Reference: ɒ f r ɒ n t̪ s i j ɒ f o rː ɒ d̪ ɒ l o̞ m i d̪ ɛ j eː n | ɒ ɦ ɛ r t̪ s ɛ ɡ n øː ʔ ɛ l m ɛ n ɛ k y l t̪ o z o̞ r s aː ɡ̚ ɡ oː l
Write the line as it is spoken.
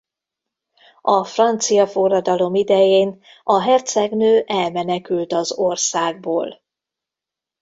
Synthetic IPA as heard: ɒ f r ɒ n t̪ s i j ɒ f o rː ɒ d̪ ɒ l o̞ m i d̪ ɛ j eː n | ɒ ɦ ɛ r t̪ s ɛ ɡ n øː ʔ ɛ l m ɛ n ɛ k y l t̪ ɒ z o̞ r s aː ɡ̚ b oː l